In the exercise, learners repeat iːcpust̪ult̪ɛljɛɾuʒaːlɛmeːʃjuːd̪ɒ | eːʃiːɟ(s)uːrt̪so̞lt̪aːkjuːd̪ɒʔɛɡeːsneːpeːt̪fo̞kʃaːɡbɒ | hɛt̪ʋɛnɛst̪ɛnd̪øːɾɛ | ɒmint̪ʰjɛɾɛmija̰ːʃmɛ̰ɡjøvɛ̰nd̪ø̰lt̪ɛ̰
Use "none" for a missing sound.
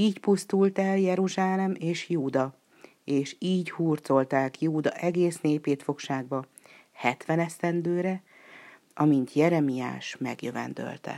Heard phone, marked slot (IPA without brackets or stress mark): h